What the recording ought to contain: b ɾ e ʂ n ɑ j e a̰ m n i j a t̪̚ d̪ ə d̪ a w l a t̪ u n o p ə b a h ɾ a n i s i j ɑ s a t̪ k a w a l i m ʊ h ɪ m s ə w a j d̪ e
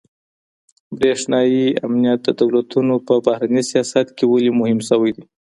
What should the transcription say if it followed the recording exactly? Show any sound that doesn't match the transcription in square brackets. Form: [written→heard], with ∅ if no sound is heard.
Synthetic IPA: b ɾ e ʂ n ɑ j [e→i] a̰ m n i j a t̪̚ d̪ ə d̪ a w l a t̪ u n o p ə b a h ɾ a n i s i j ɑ s a t̪ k [a→e] w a l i m ʊ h ɪ m s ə w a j d̪ [e→i]